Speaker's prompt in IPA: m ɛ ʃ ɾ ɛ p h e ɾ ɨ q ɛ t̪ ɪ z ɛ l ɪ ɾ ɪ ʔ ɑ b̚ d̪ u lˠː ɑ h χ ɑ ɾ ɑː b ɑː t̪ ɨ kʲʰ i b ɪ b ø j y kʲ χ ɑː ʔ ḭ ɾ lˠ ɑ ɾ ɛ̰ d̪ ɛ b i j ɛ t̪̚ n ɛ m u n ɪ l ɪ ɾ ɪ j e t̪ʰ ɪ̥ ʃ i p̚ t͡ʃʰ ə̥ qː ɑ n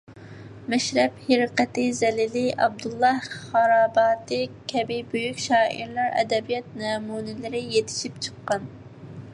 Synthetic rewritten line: m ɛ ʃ ɾ ɛ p h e ɾ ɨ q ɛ t̪ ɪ z ɛ l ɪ l ɪ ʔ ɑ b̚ d̪ u lˠː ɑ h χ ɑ ɾ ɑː b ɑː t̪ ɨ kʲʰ ɛ b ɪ b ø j y kʲ ʃ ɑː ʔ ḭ ɾ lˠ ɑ ɾ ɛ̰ d̪ ɛ b i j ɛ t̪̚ n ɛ m u n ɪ l ɪ ɾ ɪ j e t̪ʰ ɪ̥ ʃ i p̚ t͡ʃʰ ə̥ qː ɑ n